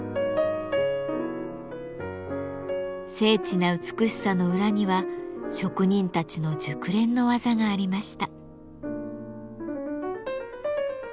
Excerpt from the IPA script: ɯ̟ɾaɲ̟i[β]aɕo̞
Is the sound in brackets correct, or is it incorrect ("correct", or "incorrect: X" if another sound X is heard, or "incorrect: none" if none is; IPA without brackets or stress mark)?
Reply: correct